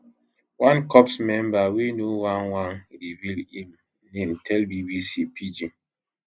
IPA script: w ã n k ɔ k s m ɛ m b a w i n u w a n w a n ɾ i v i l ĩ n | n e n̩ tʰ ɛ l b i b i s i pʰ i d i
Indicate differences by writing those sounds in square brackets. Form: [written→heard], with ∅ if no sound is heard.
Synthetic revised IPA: w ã n k ɔ [k→p] s m ɛ m b a w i n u w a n w a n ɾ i v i l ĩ [n→m] | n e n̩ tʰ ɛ l b i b i s i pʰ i [d→d͡ʒ] i